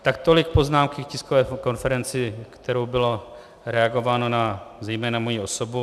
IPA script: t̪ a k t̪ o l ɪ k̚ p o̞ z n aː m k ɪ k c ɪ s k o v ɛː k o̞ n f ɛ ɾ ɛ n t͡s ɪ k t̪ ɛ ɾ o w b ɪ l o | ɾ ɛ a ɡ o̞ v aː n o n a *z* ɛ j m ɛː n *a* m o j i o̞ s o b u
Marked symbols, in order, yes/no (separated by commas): yes, yes